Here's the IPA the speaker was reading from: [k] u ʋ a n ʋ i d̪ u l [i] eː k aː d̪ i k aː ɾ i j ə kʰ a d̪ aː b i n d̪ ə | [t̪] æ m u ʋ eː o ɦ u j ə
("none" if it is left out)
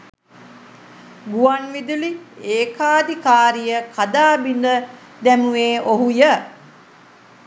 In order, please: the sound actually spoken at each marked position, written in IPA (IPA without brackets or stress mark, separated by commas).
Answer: ɡ, i, d̪